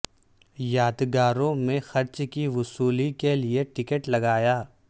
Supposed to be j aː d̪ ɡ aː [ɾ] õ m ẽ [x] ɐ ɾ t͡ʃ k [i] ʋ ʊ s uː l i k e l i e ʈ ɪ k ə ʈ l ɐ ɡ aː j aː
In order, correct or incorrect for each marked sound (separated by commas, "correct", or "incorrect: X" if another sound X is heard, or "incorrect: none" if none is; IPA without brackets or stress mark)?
correct, correct, correct